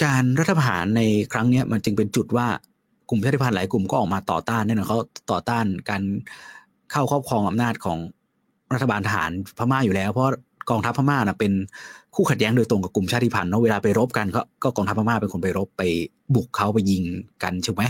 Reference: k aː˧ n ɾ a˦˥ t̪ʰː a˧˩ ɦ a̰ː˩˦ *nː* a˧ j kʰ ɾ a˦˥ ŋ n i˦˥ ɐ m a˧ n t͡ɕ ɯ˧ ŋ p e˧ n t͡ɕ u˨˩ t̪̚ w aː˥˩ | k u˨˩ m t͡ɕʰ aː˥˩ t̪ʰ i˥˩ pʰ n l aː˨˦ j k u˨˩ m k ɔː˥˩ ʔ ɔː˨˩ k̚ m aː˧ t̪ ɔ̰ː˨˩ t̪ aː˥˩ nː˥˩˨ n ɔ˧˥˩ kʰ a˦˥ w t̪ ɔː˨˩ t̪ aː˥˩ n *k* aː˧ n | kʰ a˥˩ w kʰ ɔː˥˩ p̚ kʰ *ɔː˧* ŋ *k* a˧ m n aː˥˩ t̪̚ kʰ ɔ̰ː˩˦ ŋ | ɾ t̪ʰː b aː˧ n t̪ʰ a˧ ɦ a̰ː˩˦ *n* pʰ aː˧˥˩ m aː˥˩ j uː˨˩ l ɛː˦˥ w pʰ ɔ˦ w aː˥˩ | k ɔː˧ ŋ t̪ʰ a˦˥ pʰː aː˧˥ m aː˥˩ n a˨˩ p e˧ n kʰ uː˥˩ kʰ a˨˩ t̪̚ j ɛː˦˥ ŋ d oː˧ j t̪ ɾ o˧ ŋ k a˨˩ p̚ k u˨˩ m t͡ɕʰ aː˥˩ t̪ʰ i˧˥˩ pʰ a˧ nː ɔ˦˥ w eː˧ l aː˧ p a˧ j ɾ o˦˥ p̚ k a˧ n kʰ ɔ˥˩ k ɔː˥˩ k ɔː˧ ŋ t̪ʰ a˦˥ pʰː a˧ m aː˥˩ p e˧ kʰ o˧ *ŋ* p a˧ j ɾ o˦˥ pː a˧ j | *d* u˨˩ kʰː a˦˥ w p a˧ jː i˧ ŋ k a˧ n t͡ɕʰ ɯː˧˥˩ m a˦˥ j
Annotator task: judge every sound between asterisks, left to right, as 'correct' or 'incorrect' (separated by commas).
correct, correct, correct, incorrect, correct, incorrect, incorrect